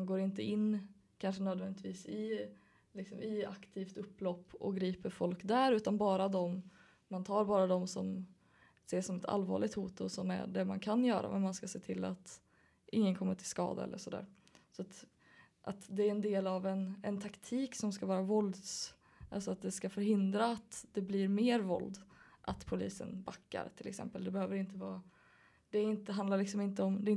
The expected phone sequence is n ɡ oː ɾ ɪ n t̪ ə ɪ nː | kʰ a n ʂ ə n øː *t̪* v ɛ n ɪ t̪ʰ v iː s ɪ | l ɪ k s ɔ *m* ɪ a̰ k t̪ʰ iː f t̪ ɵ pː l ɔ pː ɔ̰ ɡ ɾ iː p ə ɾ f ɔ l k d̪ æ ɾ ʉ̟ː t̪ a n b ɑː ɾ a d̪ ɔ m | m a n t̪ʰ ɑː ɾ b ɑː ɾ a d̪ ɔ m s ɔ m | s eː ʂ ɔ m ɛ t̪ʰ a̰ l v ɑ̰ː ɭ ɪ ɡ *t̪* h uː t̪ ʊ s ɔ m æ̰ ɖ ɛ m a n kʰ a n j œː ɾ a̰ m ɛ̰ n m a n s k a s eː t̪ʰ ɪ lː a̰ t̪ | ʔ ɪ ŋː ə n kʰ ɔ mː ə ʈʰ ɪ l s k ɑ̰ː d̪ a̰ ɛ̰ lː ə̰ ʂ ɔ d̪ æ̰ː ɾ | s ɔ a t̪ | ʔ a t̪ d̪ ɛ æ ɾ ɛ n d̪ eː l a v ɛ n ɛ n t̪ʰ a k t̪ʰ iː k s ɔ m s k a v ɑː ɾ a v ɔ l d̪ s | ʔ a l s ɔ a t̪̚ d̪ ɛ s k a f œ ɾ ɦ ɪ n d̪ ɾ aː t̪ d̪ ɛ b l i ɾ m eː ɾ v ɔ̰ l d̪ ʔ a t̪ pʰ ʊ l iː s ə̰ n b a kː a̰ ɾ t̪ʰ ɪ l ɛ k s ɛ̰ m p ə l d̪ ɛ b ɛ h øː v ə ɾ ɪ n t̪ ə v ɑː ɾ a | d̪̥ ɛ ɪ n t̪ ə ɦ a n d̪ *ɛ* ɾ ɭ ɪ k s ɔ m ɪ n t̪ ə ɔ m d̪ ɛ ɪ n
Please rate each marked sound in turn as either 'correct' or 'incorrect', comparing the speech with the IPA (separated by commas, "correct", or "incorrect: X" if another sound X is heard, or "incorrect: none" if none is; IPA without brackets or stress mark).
incorrect: d̪, correct, correct, incorrect: a